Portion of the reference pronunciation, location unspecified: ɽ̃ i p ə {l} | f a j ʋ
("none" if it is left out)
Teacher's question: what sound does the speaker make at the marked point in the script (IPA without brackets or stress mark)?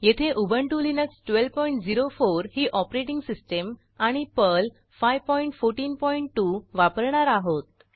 l